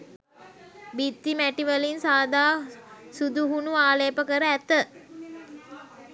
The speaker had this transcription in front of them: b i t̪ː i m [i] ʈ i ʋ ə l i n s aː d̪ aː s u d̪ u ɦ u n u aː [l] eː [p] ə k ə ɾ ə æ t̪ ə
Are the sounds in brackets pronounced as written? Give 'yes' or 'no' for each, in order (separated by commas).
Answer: no, yes, yes